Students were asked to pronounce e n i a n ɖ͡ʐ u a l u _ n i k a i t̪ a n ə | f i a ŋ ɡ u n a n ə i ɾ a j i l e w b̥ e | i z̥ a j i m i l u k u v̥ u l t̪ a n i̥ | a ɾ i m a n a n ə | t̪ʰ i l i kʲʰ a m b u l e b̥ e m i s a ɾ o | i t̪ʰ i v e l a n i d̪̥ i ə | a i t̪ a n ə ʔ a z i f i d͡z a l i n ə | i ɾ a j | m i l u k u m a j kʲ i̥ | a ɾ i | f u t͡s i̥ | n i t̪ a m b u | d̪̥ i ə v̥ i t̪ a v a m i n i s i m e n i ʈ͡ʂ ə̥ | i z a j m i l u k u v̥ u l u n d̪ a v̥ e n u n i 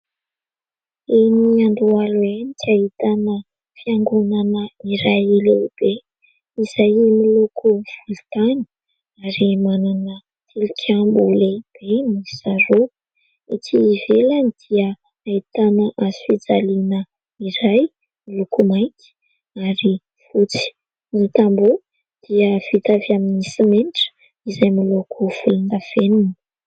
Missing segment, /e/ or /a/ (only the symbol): e